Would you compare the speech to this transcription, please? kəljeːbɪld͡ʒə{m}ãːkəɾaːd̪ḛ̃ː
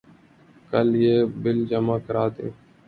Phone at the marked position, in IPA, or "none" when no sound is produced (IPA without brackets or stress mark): m